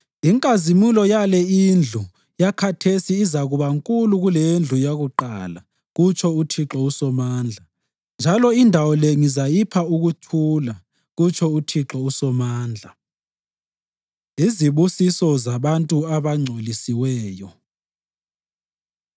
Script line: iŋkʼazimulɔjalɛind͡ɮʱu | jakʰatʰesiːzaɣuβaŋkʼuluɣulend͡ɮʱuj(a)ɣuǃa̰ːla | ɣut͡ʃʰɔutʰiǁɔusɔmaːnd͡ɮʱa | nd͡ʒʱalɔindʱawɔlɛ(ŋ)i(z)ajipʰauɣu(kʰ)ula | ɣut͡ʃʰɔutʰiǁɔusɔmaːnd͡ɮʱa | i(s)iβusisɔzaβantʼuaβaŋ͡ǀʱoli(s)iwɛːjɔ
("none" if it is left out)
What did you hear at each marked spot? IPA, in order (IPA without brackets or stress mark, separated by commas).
a, ŋ, z, tʰ, z, s